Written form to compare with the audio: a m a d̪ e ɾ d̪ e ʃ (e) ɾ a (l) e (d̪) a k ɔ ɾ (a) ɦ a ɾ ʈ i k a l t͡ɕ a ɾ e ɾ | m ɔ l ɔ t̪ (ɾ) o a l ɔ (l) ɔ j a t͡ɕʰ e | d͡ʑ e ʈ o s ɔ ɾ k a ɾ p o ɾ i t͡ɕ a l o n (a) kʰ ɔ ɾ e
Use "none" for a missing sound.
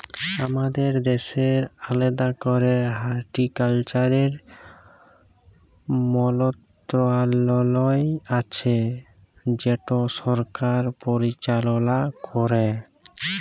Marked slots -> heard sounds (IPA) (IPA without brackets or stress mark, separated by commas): e, l, d̪, e, ɾ, l, a